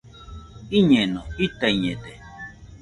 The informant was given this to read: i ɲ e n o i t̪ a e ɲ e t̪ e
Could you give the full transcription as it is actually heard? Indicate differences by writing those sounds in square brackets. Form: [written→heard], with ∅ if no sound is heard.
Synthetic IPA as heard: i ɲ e n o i t̪ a [e→i] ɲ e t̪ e